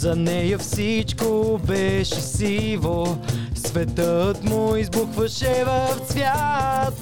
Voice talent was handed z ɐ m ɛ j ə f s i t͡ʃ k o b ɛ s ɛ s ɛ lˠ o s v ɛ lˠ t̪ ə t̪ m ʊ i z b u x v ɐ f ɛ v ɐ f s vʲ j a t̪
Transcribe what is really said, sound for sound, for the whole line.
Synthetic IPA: z ɐ n ɛ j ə f s i t͡ʃ k o b ɛ ʃ ɛ s i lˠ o s v ɛ t̪ ə t̪ m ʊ i z b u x v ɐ ʃ ɛ v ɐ f s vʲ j a t̪